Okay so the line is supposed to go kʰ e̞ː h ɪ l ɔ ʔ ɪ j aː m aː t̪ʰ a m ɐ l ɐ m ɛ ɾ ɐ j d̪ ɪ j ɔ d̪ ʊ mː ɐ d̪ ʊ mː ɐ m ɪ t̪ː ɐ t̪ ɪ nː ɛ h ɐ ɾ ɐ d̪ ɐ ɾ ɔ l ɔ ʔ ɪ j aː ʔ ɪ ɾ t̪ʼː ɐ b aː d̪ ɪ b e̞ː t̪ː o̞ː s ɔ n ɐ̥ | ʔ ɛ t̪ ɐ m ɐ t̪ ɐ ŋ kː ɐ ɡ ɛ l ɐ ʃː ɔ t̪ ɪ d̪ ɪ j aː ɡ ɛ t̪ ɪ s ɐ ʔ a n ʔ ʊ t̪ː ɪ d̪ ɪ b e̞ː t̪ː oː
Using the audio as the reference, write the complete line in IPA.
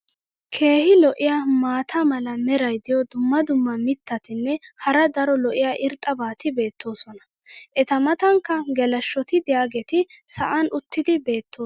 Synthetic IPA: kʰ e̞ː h ɪ l ɔ ʔ ɪ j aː m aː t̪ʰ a m ɐ l ɐ m ɛ ɾ ɐ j d̪ ɪ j ɔ d̪ ʊ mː ɐ d̪ ʊ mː ɐ m ɪ t̪ː ɐ t̪ ɪ nː ɛ h ɐ ɾ ɐ d̪ ɐ ɾ ɔ l ɔ ʔ ɪ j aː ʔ ɪ ɾ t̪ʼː ɐ b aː t̪ ɪ b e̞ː t̪ː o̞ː s ɔ n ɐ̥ | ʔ ɛ t̪ ɐ m ɐ t̪ ɐ ŋ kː ɐ ɡ ɛ l ɐ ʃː ɔ t̪ ɪ d̪ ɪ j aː ɡ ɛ t̪ ɪ s ɐ ʔ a n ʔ ʊ t̪ː ɪ d̪ ɪ b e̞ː t̪ː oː

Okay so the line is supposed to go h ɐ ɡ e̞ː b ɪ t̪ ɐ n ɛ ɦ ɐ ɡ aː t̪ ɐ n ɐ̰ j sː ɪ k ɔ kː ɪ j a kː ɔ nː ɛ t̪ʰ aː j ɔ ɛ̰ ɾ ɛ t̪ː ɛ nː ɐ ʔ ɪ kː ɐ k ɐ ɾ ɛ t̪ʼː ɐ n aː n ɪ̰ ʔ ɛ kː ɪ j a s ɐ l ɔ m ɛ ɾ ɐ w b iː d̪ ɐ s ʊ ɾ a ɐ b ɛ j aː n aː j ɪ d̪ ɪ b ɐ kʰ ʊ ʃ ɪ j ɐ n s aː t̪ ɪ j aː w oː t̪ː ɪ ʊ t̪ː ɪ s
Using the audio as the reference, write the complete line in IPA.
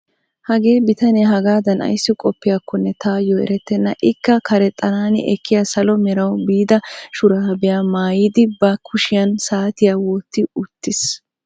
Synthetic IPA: h ɐ ɡ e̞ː b ɪ t̪ ɐ n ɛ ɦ ɐ ɡ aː d̪ ɐ n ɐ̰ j sː ɪ kʼ ɔ pː ɪ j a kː ɔ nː ɛ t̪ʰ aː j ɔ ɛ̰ ɾ ɛ t̪ː ɛ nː ɐ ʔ ɪ kː ɐ k ɐ ɾ ɛ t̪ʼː ɐ n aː n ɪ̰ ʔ ɛ kː ɪ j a s ɐ l ɔ m ɛ ɾ ɐ w b iː d̪ ɐ ʃ ʊ ɾ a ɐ b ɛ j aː m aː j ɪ d̪ ɪ b ɐ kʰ ʊ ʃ ɪ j ɐ n s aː t̪ ɪ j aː w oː t̪ː ɪ ʊ t̪ː ɪ s

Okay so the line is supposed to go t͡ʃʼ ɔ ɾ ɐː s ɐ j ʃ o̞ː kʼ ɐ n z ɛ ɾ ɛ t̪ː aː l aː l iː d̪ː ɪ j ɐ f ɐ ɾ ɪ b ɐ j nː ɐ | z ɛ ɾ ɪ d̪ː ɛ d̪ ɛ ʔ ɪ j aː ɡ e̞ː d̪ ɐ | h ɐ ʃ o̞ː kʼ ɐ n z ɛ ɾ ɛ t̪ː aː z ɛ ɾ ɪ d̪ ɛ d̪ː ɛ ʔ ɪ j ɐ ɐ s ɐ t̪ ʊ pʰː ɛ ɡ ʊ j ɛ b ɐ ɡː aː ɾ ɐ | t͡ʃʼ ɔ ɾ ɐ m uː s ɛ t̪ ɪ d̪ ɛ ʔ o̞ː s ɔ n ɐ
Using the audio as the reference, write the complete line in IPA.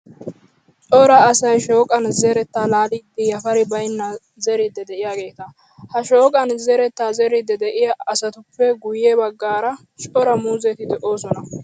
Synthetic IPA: t͡ʃʼ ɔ ɾ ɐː s ɐ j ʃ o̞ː kʼ ɐ n z ɛ ɾ ɛ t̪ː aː l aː l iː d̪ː ɪ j ɐ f ɐ ɾ ɪ b ɐ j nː ɐ | z ɛ ɾ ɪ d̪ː ɛ d̪ ɛ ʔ ɪ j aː ɡ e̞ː t̪ ɐ | h ɐ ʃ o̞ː kʼ ɐ n z ɛ ɾ ɛ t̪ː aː z ɛ ɾ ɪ d̪ ɛ d̪ ɛ ʔ ɪ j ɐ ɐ s ɐ t̪ ʊ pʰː ɛ ɡ ʊ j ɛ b ɐ ɡː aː ɾ ɐ | t͡ʃʼ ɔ ɾ ɐ m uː z ɛ t̪ ɪ d̪ ɛ ʔ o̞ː s ɔ n ɐ

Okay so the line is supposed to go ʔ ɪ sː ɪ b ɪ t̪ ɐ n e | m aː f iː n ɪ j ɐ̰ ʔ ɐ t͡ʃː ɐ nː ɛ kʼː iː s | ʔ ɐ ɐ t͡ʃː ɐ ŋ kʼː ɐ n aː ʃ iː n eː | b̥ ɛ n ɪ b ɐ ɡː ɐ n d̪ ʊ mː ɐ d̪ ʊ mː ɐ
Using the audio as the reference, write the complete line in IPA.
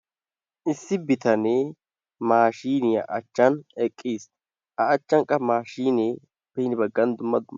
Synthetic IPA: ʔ ɪ sː ɪ b ɪ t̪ ɐ n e | m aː ʃ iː n ɪ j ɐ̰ ʔ ɐ t͡ʃː ɐ n ɛ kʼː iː s | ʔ ɐ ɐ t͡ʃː ɐ ŋ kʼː ɐ m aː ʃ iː n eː | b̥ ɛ n ɪ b ɐ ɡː ɐ n d̪ ʊ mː ɐ d̪ ʊ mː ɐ

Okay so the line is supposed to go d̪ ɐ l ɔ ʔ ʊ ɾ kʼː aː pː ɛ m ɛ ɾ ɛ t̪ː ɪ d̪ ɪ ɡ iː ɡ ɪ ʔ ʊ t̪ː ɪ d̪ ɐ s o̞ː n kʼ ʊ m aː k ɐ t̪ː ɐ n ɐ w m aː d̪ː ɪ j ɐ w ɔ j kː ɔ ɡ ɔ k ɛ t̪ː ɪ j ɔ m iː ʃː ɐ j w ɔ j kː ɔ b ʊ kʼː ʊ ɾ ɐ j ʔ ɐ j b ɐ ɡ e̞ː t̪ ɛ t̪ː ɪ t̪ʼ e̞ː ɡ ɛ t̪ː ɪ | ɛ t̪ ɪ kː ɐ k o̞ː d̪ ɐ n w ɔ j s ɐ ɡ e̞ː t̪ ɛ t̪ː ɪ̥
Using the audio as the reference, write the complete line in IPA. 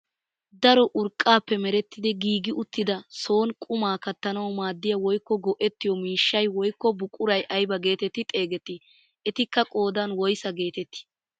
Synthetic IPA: d̪ ɐ ɾ ɔ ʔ ʊ ɾ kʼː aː pː ɛ m ɛ ɾ ɛ t̪ː ɪ d̪ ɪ ɡ iː ɡ ɪ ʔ ʊ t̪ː ɪ d̪ ɐ s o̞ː n kʼ ʊ m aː k ɐ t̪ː ɐ n ɐ w m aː d̪ː ɪ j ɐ w ɔ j kː ɔ ɡ ɔ ʔ ɛ t̪ː ɪ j ɔ m iː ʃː ɐ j w ɔ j kː ɔ b ʊ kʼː ʊ ɾ ɐ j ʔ ɐ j b ɐ ɡ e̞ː t̪ ɛ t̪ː ɪ t̪ʼ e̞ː ɡ ɛ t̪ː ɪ | ɛ t̪ ɪ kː ɐ kʼ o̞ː d̪ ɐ n w ɔ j s ɐ ɡ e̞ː t̪ ɛ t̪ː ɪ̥

